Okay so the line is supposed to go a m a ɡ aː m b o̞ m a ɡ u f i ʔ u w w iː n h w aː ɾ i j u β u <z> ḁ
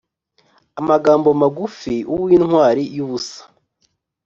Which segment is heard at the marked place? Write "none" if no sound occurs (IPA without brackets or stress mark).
s